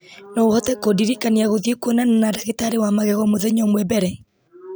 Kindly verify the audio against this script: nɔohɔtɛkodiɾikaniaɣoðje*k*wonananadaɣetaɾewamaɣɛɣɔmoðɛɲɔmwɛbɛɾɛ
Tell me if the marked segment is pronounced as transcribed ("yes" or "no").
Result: yes